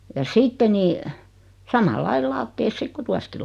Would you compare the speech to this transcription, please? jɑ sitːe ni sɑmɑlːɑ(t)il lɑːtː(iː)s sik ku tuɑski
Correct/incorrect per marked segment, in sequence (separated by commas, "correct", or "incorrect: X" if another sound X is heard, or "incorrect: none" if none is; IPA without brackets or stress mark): incorrect: none, incorrect: eː